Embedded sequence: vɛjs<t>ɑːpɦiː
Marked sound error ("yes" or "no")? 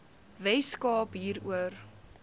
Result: yes